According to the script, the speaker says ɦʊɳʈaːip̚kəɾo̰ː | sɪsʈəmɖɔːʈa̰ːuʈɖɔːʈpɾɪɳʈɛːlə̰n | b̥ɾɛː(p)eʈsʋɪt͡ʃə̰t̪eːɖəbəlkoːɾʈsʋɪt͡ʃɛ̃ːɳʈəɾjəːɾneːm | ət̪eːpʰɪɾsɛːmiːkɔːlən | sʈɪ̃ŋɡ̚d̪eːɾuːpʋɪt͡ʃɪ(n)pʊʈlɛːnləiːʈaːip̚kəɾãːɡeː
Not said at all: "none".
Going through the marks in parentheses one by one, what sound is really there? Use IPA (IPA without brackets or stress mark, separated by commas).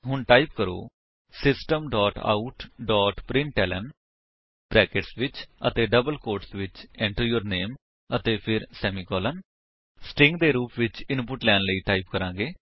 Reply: k, n